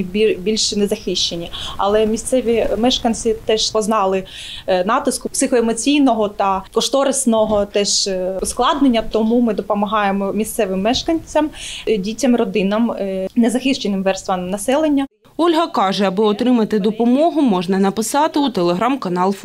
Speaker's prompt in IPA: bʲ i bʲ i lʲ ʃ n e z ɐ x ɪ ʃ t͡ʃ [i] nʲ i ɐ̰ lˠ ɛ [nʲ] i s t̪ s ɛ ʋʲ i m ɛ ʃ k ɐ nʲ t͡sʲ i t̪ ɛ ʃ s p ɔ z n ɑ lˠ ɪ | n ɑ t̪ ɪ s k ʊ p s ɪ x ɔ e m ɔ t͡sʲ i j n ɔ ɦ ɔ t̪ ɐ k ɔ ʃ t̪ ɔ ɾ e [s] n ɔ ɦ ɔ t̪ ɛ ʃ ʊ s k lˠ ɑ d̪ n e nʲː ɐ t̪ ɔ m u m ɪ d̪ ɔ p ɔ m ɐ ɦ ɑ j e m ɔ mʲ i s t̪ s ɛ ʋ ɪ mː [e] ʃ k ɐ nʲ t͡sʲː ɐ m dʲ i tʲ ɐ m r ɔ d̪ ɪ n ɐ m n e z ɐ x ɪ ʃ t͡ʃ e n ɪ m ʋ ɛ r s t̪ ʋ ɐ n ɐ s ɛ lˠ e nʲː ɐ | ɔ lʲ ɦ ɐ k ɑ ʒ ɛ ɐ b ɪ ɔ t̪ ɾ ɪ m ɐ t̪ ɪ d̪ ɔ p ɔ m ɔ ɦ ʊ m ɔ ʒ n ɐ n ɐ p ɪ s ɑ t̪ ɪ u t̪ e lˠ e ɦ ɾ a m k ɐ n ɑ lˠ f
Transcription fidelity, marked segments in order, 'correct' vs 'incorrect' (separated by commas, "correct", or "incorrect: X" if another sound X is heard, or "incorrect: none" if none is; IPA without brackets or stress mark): incorrect: e, incorrect: mʲ, correct, incorrect: ɛ